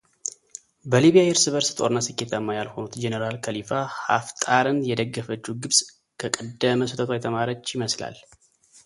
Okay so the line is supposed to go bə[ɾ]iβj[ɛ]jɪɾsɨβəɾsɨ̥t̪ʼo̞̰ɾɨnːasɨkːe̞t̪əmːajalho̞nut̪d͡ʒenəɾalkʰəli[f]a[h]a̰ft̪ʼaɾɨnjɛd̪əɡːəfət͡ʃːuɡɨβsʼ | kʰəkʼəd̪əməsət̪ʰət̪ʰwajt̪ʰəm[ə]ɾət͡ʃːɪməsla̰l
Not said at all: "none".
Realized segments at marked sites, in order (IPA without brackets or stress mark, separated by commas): l, a, f, h, a